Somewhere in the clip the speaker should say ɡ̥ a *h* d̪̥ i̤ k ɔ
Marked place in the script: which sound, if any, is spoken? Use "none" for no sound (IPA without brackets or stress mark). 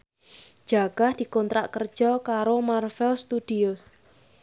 h